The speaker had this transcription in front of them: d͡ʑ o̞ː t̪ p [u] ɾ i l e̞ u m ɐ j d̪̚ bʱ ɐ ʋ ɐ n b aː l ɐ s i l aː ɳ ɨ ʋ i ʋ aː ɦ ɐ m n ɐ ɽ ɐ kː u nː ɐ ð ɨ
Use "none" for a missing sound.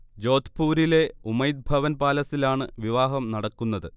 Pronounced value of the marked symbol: uː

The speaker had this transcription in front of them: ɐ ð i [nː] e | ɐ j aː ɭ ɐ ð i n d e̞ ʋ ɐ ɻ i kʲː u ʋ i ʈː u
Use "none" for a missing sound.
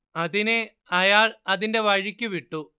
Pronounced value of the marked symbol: n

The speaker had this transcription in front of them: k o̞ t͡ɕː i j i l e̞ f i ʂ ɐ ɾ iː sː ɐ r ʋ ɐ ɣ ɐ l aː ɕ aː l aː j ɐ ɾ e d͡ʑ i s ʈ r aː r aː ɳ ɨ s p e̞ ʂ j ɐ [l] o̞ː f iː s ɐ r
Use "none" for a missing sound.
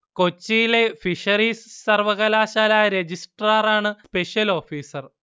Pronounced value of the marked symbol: l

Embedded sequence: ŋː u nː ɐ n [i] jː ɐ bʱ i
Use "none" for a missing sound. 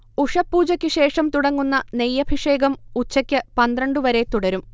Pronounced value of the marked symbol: e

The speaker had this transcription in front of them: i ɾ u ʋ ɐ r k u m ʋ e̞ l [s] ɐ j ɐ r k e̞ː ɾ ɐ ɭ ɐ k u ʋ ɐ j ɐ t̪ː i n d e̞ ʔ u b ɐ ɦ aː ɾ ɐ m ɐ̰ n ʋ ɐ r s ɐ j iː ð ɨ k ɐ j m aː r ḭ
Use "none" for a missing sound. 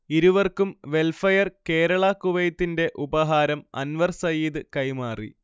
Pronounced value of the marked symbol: f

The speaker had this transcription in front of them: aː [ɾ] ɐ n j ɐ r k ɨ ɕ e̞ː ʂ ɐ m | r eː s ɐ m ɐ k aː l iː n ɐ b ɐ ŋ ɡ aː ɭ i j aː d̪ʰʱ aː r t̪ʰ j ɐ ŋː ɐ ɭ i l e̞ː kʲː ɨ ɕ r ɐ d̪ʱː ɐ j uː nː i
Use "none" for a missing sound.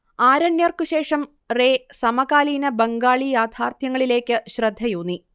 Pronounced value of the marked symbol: ɾ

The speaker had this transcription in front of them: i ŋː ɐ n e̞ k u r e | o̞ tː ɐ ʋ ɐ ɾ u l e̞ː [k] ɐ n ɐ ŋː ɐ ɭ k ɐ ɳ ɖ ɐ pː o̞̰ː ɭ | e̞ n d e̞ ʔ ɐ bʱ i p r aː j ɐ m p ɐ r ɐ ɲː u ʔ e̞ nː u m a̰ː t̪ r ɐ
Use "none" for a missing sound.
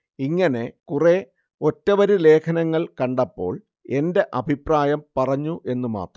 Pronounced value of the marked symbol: kʰ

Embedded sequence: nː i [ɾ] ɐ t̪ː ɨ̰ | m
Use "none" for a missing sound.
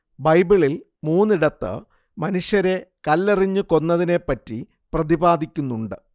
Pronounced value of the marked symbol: ɽ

